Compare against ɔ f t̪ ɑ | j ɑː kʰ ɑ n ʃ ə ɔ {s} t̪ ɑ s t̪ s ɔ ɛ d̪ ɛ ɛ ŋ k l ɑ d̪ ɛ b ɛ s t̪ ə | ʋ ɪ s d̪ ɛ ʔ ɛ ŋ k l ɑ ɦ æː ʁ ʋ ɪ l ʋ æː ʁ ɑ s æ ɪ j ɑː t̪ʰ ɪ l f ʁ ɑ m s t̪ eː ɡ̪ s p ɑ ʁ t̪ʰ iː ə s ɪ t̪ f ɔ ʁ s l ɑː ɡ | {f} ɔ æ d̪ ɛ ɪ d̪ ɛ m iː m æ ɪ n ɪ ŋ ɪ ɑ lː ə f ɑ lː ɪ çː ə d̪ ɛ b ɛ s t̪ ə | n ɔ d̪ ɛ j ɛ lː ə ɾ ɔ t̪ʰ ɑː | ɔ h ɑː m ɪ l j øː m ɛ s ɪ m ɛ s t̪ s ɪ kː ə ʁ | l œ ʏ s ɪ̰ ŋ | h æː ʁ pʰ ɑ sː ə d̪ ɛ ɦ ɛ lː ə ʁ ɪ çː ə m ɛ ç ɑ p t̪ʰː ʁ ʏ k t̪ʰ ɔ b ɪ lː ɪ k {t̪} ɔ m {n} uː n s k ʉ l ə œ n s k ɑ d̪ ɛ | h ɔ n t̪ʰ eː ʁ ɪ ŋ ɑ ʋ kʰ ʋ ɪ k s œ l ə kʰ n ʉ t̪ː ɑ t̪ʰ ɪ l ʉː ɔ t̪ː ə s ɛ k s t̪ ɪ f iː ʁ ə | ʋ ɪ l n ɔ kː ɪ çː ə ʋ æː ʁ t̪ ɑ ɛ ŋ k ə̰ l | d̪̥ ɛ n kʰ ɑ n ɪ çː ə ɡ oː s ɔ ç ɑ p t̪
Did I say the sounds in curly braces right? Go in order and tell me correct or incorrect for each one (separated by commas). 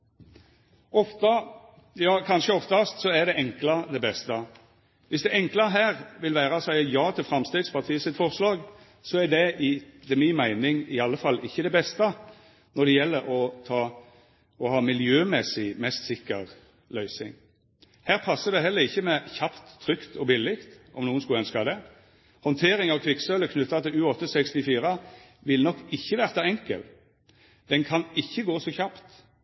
incorrect, incorrect, correct, correct